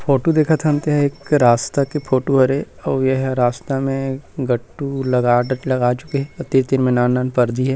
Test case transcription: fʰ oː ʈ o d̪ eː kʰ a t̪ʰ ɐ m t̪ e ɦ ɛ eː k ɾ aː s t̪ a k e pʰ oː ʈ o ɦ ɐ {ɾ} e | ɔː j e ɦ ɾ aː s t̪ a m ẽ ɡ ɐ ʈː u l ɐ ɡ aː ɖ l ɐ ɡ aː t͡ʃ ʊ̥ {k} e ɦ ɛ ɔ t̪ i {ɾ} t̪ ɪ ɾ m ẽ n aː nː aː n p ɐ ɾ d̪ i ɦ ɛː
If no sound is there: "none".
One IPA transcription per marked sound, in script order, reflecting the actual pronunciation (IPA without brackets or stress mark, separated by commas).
ɾ, k, ɾ